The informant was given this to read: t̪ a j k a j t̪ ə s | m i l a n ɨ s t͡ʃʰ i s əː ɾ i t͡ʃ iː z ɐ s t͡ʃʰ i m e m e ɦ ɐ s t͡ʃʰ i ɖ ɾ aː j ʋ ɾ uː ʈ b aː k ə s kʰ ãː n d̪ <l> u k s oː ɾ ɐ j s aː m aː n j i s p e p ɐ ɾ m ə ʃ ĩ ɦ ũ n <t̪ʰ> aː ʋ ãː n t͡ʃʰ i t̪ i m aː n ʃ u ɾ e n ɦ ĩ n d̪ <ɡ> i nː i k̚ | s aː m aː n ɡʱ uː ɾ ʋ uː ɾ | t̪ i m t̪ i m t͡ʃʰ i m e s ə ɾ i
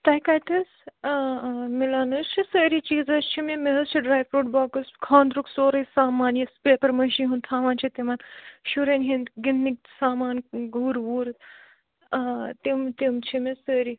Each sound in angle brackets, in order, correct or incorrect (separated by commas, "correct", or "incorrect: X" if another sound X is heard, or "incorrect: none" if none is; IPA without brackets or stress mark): incorrect: ɾ, correct, correct